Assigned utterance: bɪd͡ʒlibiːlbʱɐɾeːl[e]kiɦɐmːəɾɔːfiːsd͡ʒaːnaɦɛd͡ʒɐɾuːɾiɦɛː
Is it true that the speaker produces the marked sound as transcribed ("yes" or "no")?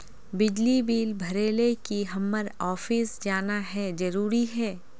yes